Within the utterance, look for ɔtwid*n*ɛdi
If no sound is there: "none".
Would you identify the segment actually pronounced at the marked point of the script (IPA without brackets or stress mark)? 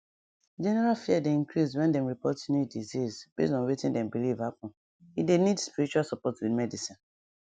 m